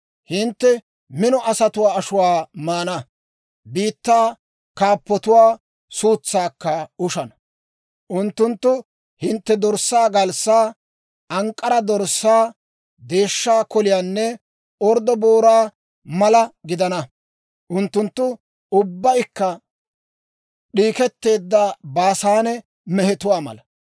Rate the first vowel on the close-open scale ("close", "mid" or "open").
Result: close